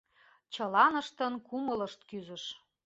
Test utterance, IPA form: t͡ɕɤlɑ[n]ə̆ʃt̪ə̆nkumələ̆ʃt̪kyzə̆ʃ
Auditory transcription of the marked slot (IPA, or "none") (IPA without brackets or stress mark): n